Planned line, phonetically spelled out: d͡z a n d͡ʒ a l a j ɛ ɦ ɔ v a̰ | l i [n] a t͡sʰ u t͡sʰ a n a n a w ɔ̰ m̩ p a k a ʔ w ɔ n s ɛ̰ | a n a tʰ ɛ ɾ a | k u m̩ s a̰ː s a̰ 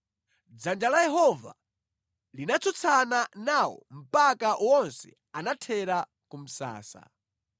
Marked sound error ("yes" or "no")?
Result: no